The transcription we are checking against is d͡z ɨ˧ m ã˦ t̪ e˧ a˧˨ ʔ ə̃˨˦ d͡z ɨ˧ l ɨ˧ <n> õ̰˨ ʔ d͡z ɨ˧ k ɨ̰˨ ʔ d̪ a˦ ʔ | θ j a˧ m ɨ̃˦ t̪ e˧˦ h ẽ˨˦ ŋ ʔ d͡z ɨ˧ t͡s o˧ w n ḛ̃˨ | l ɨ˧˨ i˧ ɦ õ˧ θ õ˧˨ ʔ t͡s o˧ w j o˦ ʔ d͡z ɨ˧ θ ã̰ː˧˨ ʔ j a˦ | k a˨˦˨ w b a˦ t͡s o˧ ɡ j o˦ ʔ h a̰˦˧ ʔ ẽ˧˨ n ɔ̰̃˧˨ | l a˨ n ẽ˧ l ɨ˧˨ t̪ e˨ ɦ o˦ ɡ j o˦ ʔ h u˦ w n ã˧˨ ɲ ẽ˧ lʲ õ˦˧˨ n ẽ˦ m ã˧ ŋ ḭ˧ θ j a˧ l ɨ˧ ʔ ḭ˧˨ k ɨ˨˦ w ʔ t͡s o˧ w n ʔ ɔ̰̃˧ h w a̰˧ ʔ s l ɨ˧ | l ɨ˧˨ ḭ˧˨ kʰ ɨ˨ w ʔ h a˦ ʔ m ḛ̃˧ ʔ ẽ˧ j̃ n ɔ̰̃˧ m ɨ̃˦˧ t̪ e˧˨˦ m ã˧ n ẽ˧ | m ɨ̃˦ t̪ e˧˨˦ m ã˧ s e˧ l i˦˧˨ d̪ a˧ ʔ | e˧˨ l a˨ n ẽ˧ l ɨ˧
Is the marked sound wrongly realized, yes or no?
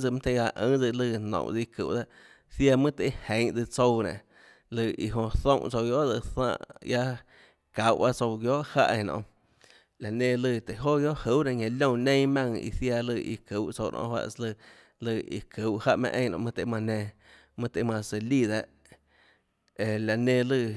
no